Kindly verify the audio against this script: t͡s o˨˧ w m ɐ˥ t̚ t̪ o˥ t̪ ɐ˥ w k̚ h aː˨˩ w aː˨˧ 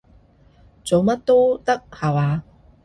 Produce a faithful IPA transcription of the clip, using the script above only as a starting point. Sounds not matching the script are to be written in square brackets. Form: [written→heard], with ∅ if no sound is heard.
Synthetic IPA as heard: t͡s o˨˧ w m ɐ˥ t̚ t̪ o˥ t̪ ɐ˥ [w→∅] k̚ h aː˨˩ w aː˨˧

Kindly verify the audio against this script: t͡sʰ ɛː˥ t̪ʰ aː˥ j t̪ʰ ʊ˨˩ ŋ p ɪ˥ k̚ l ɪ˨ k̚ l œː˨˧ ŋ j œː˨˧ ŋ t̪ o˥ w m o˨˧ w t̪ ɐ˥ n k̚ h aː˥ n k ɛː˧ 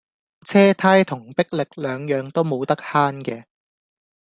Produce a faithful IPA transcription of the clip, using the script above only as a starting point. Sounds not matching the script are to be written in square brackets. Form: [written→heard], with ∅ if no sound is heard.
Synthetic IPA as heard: t͡sʰ ɛː˥ t̪ʰ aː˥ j t̪ʰ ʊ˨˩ ŋ p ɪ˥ k̚ l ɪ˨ k̚ l œː˨˧ ŋ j œː˨˧ ŋ t̪ o˥ w m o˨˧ w t̪ ɐ˥ [n→∅] k̚ h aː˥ n k ɛː˧

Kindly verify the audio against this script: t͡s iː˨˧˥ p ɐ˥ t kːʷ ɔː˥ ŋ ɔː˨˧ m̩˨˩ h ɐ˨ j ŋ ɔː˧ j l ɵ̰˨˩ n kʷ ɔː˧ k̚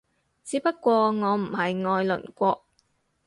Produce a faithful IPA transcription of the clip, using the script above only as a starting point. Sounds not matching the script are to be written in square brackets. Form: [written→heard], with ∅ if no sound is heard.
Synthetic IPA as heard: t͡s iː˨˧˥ p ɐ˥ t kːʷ [ɔː˥→ɔː˧] ŋ ɔː˨˧ m̩˨˩ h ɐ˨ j ŋ ɔː˧ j l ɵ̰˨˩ n kʷ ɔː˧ k̚

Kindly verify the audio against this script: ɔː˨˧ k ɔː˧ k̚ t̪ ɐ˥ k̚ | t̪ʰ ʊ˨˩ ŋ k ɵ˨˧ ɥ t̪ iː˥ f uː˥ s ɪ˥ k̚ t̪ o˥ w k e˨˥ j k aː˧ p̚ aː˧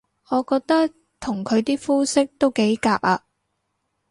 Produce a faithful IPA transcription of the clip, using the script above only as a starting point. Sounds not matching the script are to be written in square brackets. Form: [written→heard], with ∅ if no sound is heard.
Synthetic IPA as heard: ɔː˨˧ k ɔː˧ k̚ t̪ ɐ˥ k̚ | t̪ʰ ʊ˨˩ ŋ [k→kʰ] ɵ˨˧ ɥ t̪ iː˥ f uː˥ s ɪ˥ k̚ t̪ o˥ w k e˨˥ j k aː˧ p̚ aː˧

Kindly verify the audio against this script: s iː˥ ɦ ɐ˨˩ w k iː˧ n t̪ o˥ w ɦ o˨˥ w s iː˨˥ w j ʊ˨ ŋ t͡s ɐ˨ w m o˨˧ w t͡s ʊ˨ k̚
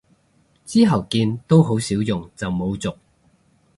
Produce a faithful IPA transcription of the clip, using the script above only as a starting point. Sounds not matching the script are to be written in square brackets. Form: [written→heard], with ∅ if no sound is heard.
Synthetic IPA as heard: [s→t͡s] iː˥ ɦ ɐ˨˩ w k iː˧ n t̪ o˥ w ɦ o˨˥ w s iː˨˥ w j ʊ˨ ŋ t͡s ɐ˨ w m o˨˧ w t͡s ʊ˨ k̚

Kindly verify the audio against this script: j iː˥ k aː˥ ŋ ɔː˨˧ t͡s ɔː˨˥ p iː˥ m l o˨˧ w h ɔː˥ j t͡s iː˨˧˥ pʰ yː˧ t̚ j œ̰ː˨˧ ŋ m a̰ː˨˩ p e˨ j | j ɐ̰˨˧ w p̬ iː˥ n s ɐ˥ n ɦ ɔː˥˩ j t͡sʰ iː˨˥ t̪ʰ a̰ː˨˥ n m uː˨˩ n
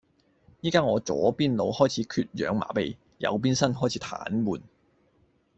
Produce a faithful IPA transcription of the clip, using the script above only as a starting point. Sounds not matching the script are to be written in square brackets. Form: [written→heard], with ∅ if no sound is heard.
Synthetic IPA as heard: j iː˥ k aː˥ ŋ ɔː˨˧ t͡s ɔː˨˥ p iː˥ [m→n] l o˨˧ w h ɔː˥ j [t͡s→t͡sʰ] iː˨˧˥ [pʰ→kʰ] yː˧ t̚ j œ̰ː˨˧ ŋ m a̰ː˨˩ p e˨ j | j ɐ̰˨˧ w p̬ iː˥ n s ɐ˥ n ɦ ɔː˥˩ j t͡sʰ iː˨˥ t̪ʰ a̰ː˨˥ n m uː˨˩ n

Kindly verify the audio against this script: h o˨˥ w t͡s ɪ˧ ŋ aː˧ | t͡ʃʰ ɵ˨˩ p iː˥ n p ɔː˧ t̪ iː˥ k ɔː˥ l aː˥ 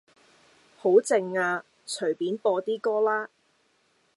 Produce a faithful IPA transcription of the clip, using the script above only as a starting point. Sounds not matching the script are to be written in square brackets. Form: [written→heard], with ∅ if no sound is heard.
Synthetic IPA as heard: h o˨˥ w t͡s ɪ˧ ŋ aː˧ | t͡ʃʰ ɵ˨˩ p [iː˥→iː˨˥] n p ɔː˧ t̪ iː˥ k ɔː˥ l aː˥

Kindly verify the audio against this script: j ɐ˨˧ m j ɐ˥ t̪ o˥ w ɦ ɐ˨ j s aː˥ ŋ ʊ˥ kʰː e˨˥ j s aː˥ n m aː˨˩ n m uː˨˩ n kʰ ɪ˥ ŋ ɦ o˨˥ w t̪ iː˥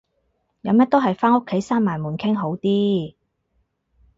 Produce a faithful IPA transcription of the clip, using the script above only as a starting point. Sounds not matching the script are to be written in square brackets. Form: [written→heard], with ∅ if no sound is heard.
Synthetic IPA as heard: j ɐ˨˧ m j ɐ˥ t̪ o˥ w ɦ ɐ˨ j [s→f] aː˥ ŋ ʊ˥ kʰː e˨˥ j s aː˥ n m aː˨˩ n m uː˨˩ n kʰ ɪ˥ ŋ ɦ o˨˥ w t̪ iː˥

